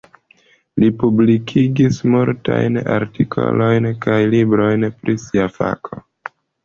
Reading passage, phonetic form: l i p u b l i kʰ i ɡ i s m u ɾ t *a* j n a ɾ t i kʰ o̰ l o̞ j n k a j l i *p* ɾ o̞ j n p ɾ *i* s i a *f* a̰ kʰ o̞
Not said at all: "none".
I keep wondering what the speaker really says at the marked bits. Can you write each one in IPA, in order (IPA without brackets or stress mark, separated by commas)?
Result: a, b, i, f